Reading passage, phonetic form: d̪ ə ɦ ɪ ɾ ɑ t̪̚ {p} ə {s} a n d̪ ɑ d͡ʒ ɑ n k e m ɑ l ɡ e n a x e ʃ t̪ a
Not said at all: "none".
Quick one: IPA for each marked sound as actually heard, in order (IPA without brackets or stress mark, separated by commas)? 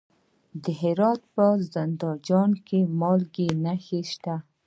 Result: p, z